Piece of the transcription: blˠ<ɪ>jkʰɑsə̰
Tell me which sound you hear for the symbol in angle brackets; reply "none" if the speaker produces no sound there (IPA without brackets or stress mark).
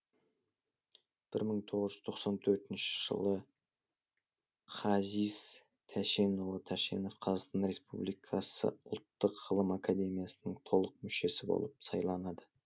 i